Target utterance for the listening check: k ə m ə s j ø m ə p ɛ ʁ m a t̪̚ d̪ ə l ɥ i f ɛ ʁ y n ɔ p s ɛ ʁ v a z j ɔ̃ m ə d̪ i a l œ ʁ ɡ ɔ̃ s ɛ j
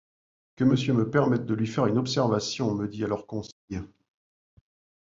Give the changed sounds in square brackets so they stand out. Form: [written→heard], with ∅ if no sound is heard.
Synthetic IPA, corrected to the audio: k ə m ə s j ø m ə p ɛ ʁ m [a→ɛ] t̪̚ d̪ ə l ɥ i f ɛ ʁ y n ɔ p s ɛ ʁ v a [z→s] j ɔ̃ m ə d̪ i a l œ ʁ [ɡ→k] ɔ̃ s ɛ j